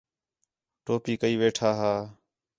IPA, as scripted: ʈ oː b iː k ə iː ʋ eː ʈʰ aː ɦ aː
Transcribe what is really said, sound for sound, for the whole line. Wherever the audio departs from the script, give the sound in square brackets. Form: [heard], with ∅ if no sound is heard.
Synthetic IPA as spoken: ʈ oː [p] iː k ə iː ʋ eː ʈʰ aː ɦ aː

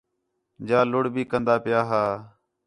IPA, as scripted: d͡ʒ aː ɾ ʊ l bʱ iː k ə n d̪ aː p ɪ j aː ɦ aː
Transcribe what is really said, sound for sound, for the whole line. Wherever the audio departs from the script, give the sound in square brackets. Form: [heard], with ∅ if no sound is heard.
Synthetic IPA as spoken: d͡ʒ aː [l] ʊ [ɽ] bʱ iː k ə n d̪ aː p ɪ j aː ɦ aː

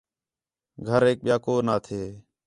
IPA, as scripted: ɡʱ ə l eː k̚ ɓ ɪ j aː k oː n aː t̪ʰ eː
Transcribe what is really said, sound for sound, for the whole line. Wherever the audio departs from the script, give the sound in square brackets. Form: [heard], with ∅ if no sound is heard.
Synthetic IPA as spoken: ɡʱ ə [ɾ] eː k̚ ɓ ɪ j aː k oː n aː t̪ʰ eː

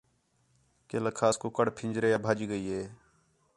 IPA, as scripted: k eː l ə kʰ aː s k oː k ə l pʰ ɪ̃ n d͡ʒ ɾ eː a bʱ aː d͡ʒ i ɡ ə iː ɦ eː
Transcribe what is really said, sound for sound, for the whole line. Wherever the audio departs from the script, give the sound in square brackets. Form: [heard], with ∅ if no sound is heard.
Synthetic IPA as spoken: k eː l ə kʰ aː s k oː k ə [ɽ] pʰ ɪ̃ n d͡ʒ ɾ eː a bʱ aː d͡ʒ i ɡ ə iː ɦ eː

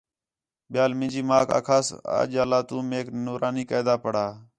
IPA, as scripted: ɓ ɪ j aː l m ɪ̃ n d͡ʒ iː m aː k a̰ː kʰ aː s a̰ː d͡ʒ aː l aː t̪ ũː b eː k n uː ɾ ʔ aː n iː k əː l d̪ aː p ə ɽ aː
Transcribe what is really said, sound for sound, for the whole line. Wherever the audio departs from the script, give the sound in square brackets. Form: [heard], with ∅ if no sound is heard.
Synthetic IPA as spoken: ɓ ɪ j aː l m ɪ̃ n d͡ʒ iː m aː k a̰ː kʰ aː s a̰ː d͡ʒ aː l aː t̪ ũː [m] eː k n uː ɾ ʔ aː n iː k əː [∅] d̪ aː p ə ɽ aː

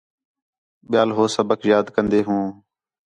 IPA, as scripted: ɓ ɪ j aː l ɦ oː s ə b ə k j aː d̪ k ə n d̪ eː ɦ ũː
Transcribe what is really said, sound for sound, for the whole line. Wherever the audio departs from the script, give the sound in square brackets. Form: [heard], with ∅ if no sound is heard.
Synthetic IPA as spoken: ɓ ɪ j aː l ɦ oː s ə b ə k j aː d̪ k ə n d̪ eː ɦ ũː

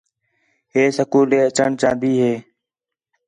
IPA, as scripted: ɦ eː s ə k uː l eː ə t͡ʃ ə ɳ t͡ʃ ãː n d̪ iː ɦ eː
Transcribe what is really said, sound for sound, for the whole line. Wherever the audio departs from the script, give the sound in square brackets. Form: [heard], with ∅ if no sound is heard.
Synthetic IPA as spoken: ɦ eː s ə k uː l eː ə t͡ʃ ə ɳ t͡ʃ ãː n d̪ iː ɦ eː

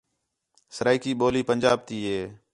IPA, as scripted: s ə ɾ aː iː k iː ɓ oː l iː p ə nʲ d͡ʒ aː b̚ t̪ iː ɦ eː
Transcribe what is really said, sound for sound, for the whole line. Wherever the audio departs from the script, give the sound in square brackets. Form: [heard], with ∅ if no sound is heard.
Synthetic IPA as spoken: s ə ɾ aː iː k iː ɓ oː l iː p ə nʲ d͡ʒ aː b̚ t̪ iː ɦ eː

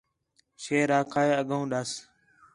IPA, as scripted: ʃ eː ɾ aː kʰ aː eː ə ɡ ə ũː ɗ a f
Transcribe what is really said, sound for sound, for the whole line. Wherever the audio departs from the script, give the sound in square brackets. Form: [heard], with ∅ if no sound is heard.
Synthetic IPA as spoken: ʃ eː ɾ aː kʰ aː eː ə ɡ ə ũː ɗ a [s]

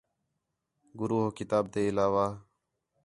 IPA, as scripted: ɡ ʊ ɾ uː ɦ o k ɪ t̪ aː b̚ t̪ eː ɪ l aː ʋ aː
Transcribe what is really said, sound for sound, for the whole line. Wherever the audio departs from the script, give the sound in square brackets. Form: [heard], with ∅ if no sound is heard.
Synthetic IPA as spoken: ɡ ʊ ɾ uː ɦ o k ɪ t̪ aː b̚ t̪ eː ɪ l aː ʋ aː

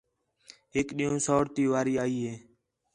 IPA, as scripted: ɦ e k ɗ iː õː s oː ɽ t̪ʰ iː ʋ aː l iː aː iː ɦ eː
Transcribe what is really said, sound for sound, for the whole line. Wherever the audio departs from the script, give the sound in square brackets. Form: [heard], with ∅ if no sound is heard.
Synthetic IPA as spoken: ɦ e k ɗ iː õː s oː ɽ [t̪] iː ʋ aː [ɾ] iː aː iː ɦ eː

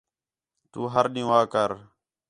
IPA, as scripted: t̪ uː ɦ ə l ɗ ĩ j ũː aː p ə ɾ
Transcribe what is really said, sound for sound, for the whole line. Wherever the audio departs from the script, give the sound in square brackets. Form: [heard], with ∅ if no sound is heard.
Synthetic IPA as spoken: t̪ uː ɦ ə [ɾ] ɗ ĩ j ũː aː [k] ə ɾ

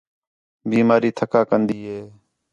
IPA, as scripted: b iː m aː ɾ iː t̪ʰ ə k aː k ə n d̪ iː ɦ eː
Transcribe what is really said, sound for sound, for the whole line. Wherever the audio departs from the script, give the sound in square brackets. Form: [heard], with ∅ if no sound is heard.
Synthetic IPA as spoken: b iː m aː ɾ iː t̪ʰ ə k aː k ə n d̪ iː ɦ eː

